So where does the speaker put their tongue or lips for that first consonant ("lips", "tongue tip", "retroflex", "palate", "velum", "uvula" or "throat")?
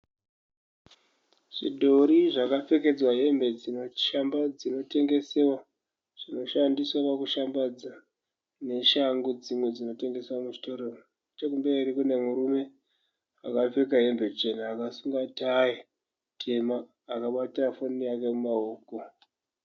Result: retroflex